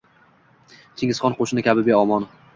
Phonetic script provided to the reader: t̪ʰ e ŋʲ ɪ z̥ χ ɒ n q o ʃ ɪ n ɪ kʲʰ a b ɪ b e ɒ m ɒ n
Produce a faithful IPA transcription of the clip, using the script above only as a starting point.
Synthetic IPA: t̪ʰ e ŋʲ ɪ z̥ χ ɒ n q o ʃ ɪ n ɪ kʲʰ a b ɪ b e ɒ m ɒ n